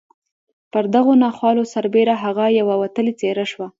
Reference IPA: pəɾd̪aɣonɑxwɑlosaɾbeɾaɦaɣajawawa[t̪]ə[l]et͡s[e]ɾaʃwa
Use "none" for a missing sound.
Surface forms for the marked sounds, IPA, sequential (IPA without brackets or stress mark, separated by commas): t̪, l, e